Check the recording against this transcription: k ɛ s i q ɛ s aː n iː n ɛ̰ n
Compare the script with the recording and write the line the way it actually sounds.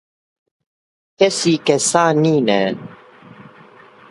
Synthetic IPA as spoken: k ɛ s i k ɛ s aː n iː n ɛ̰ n